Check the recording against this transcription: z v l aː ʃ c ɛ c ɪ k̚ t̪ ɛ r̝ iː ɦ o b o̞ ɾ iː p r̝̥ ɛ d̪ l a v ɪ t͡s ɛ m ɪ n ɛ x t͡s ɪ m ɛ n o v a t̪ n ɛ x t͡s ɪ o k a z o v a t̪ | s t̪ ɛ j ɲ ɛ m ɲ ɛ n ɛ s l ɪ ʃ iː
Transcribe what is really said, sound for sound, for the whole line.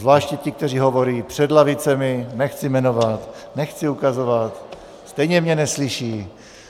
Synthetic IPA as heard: z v l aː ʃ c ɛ c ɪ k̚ t̪ ɛ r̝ iː ɦ o v o̞ ɾ iː p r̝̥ ɛ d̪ l a v ɪ t͡s ɛ m ɪ n ɛ x t͡s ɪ m ɛ n o v a t̪ n ɛ x t͡s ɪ u k a z o v a t̪ | s t̪ ɛ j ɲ ɛ m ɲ ɛ n ɛ s l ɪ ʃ iː

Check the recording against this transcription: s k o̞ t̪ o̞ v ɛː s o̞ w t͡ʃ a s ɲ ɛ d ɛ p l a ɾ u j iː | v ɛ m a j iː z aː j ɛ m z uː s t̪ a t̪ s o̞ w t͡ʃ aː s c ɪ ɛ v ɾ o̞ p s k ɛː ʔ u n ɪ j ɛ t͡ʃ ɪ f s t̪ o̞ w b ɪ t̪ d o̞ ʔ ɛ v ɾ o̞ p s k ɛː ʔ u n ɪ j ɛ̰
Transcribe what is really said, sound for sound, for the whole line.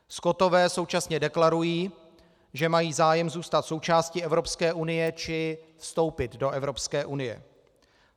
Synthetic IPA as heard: s k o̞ t̪ o̞ v ɛː s o̞ w t͡ʃ a s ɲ ɛ d ɛ k l a ɾ u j iː | ʒ ɛ m a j iː z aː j ɛ m z uː s t̪ a t̪ s o̞ w t͡ʃ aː s c ɪ ɛ v ɾ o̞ p s k ɛː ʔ u n ɪ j ɛ t͡ʃ ɪ f s t̪ o̞ w p ɪ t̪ d o̞ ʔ ɛ v ɾ o̞ p s k ɛː ʔ u n ɪ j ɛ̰

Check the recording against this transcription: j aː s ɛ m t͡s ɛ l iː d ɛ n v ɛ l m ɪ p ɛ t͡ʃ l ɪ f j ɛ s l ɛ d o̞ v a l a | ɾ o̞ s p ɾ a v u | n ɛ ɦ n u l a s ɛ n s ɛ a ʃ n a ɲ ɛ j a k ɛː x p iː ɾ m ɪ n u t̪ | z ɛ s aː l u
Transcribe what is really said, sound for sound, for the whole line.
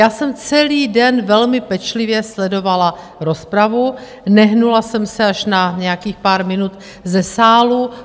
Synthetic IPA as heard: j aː s ɛ m t͡s ɛ l iː d ɛ n v ɛ l m ɪ p ɛ t͡ʃ l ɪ v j ɛ s l ɛ d o̞ v a l a | ɾ o̞ s p ɾ a v u | n ɛ ɦ n u l a s ɛ m s ɛ a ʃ n a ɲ ɛ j a k iː x p aː ɾ m ɪ n u t̪ | z ɛ s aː l u

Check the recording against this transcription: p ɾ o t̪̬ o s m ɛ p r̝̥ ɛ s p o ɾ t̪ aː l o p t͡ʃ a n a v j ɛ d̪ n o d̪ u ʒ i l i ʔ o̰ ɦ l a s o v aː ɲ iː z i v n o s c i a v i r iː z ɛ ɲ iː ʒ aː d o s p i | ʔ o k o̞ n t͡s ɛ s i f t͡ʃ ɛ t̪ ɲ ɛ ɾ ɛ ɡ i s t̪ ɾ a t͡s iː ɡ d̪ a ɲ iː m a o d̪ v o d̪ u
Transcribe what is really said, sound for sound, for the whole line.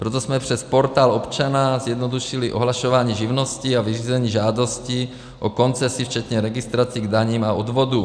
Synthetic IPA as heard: p ɾ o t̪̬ o s m ɛ p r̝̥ ɛ s p o ɾ t̪ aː l o p t͡ʃ a n a z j ɛ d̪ n o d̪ u ʃ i l i ʔ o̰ ɦ l a ʃ o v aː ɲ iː ʒ i v n o s c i a v i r iː z ɛ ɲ iː ʒ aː d o s c i | ʔ o k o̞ n t͡s ɛ s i f t͡ʃ ɛ t̪ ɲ ɛ ɾ ɛ ɡ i s t̪ ɾ a t͡s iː ɡ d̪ a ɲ iː m a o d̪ v o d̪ u

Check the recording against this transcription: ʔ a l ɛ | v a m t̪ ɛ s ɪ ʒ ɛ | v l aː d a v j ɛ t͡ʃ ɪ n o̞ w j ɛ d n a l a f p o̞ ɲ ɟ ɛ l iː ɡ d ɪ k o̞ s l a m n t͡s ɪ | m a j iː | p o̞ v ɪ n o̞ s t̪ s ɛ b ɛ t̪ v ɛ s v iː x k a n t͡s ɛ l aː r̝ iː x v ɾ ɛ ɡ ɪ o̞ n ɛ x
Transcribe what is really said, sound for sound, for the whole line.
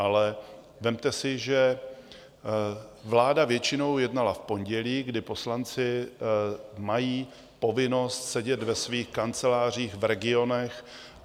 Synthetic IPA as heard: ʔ a l ɛ | v ɛ m t̪ ɛ s ɪ ʒ ɛ | v l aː d a v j ɛ t͡ʃ ɪ n o̞ w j ɛ d n a l a f p o̞ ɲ ɟ ɛ l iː ɡ d ɪ p o̞ s l a n t͡s ɪ | m a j iː | p o̞ v ɪ n o̞ s t̪ s ɛ ɟ ɛ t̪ v ɛ s v iː x k a n t͡s ɛ l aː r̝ iː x v ɾ ɛ ɡ ɪ o̞ n ɛ x

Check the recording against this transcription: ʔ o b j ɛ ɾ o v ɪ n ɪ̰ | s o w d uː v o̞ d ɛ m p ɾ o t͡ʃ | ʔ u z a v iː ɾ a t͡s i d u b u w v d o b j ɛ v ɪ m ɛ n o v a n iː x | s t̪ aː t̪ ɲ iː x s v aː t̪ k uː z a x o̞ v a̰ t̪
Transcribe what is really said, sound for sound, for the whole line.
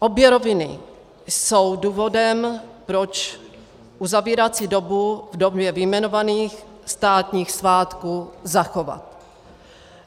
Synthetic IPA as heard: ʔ o b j ɛ ɾ o v ɪ n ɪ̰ | s o w d uː v o̞ d ɛ m p ɾ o t͡ʃ | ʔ u z a v iː ɾ a t͡s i d o b u v d o b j ɛ v ɪ m ɛ n o v a n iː x | s t̪ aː t̪ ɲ iː x s v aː t̪ k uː z a x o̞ v a̰ t̪

